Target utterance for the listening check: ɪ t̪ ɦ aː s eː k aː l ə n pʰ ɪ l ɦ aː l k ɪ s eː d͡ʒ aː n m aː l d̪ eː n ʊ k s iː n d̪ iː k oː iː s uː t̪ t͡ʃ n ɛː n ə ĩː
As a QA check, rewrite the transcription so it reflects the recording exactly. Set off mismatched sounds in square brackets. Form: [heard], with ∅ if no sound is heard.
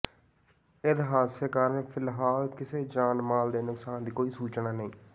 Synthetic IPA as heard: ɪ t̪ ɦ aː s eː k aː [ɾ] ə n pʰ ɪ l ɦ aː l k ɪ s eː d͡ʒ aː n m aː l d̪ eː n ʊ k s [aː] n d̪ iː k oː iː s uː [∅] t͡ʃ n [aː] n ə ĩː